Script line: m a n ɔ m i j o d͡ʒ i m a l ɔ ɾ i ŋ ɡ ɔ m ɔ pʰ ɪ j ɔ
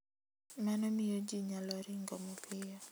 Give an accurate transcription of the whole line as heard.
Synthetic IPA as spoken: m a n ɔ m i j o d͡ʒ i ɲ a l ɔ ɾ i ŋ ɡ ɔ m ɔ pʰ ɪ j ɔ